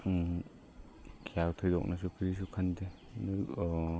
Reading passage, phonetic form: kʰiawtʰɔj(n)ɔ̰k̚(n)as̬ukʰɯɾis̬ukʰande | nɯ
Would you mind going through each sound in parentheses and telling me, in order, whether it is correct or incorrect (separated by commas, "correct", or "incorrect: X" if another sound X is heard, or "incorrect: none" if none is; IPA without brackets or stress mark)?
incorrect: d, correct